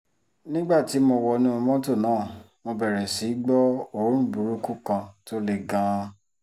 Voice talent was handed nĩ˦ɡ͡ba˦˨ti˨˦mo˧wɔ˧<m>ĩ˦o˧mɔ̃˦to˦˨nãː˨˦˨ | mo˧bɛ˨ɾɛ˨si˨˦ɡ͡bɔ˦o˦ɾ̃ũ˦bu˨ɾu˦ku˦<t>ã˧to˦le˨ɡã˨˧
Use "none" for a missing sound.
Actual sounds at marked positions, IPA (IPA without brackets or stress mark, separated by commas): n, k